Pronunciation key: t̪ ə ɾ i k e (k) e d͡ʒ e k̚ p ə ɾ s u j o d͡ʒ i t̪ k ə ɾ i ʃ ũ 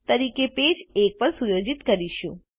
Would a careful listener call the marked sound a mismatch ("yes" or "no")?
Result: yes